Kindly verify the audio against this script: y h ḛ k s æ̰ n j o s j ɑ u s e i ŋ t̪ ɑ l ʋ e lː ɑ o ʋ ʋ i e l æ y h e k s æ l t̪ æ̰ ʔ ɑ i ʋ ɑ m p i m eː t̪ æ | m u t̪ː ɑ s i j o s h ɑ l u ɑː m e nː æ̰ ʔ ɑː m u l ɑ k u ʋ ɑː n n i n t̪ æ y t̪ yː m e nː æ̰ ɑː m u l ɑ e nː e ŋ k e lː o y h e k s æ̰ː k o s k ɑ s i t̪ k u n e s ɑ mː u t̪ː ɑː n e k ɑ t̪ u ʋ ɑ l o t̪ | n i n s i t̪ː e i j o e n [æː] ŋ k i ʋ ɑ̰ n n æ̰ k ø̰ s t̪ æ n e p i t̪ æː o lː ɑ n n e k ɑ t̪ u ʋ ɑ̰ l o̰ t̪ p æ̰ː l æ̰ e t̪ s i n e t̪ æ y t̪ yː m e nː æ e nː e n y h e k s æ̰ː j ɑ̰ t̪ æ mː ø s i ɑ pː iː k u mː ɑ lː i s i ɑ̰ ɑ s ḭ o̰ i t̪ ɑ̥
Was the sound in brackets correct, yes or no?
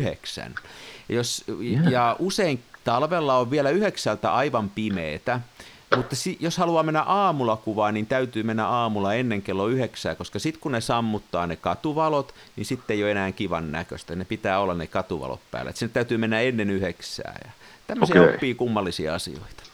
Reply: yes